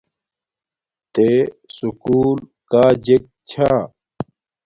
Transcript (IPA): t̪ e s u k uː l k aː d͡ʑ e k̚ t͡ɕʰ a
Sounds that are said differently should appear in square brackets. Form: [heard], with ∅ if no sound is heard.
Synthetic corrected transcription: t̪ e s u k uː l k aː d͡ʑ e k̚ t͡ɕʰ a